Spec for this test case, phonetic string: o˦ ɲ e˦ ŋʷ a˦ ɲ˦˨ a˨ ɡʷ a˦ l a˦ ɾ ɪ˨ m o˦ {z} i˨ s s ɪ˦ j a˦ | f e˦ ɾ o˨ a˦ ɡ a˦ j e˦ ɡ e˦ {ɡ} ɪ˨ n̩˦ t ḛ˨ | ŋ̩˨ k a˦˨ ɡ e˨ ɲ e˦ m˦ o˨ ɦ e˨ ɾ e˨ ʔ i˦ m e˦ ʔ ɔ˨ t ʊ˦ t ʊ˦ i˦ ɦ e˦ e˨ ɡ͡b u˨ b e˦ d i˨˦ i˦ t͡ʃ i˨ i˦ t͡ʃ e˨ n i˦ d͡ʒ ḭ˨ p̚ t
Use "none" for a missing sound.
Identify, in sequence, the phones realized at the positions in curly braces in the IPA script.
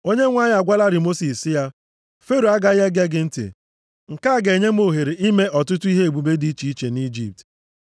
s, ɡ

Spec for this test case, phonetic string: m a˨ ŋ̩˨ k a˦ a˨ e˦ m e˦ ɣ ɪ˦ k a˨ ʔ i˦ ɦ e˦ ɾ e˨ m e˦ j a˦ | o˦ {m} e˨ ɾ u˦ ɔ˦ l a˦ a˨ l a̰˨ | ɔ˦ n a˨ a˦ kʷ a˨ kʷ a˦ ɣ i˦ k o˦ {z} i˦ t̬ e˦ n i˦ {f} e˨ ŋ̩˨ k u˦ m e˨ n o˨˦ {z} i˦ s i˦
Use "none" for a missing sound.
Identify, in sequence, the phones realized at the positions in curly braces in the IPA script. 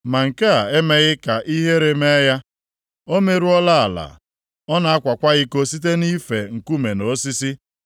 m, s, f, s

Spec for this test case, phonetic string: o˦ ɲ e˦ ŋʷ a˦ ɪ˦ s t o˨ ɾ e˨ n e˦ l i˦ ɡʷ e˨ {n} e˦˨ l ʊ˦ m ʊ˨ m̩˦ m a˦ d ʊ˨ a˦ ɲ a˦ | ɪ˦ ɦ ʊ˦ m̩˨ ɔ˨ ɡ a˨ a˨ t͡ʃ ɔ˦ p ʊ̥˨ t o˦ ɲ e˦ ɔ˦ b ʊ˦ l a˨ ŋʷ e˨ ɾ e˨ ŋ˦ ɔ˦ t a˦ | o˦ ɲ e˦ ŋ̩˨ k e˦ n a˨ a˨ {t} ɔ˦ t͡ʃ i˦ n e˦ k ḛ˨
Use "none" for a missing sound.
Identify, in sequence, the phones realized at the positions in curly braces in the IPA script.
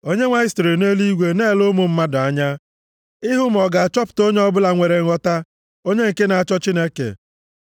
n, t͡ʃ

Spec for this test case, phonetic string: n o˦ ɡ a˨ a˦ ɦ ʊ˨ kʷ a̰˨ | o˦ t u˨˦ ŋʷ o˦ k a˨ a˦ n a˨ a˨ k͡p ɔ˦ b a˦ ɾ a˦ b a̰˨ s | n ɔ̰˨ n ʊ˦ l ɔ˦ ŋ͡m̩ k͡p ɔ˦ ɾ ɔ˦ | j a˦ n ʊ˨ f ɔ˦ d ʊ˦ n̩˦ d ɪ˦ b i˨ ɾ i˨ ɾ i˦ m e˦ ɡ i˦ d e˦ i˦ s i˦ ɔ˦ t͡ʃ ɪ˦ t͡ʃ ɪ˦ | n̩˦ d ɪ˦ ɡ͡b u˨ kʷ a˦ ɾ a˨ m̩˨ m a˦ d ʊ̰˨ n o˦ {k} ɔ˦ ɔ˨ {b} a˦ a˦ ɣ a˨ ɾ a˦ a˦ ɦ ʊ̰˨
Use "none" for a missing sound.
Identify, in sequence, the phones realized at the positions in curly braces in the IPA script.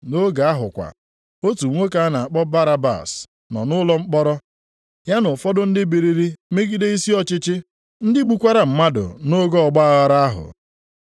ɡ, ɡ͡b

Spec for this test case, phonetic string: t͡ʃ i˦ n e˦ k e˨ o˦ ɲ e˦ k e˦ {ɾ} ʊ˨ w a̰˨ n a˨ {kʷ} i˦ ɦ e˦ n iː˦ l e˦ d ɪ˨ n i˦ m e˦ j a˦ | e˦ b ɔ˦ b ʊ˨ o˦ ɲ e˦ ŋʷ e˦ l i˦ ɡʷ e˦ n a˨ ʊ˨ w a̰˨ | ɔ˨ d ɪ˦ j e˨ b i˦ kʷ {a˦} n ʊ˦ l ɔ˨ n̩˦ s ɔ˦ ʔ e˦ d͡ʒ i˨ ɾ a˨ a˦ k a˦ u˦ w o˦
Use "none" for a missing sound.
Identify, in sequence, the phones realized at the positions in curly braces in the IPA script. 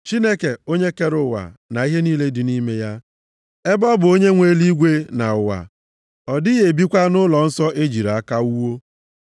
ɾ, none, a˦

